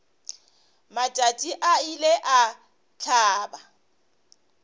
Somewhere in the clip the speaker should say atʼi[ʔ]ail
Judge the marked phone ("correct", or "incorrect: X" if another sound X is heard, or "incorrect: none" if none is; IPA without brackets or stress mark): correct